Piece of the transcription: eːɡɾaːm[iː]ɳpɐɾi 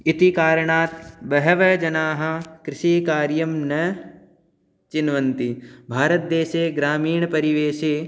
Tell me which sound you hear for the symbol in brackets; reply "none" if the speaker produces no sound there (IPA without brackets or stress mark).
iː